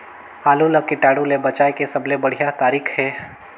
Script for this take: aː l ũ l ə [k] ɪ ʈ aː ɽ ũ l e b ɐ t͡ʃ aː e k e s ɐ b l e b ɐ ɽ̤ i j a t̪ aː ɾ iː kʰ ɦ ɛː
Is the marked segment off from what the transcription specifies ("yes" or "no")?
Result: no